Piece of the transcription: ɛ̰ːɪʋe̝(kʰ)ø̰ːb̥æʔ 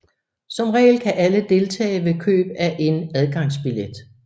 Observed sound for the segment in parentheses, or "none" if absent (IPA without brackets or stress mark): kʰ